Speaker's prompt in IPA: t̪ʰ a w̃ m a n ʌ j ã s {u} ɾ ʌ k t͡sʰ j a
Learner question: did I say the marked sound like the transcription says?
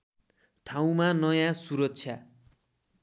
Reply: yes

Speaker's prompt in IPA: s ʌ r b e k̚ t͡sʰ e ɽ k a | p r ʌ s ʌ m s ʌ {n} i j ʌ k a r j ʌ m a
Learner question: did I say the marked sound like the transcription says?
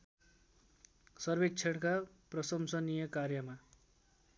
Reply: yes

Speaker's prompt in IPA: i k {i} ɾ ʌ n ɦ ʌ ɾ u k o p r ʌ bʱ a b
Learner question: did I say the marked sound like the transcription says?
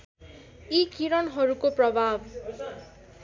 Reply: yes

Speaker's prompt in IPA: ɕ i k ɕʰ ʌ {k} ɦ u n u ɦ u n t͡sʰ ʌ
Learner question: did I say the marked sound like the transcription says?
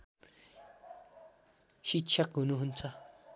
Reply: yes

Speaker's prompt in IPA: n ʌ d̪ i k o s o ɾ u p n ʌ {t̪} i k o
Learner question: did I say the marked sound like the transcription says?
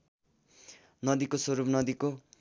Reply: no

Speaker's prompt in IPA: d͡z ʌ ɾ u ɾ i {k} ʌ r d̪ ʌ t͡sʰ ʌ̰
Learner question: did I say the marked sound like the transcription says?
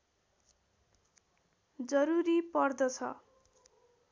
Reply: no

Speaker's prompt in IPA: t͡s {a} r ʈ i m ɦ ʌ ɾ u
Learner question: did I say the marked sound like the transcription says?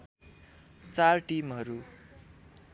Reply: yes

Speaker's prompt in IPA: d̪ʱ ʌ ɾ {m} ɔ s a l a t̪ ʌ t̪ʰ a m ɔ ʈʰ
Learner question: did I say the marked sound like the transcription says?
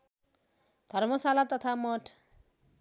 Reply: yes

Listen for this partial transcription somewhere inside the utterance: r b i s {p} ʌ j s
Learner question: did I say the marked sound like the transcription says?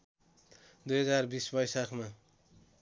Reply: no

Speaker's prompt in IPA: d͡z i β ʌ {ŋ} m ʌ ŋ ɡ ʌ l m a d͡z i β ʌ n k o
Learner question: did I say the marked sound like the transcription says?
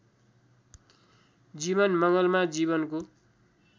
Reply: no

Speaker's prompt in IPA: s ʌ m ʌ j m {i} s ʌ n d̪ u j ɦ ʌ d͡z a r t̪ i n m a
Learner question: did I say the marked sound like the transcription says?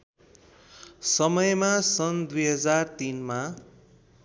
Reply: no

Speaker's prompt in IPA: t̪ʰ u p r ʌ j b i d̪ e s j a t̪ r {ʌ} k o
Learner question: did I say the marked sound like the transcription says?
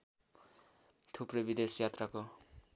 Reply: no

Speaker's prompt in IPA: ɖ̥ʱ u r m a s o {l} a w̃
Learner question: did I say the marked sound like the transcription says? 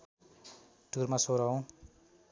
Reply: no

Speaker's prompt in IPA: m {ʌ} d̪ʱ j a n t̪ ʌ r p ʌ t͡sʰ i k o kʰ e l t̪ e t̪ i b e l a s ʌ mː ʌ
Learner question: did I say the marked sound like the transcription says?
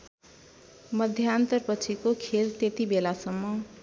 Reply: yes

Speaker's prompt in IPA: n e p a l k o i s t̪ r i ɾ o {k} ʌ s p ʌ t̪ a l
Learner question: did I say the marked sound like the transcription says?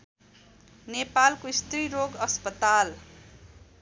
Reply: no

